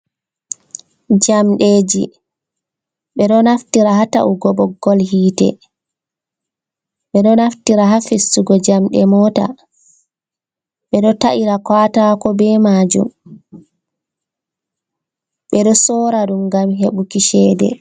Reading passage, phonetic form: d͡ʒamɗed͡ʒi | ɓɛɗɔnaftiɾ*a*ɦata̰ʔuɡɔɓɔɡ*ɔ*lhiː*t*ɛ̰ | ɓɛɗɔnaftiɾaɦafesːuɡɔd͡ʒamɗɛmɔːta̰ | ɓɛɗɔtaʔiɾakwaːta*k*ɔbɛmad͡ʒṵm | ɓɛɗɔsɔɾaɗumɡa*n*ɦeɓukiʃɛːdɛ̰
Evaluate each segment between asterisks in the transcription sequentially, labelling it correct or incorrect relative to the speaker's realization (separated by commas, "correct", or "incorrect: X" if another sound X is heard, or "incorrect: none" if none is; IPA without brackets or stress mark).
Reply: correct, correct, correct, correct, incorrect: m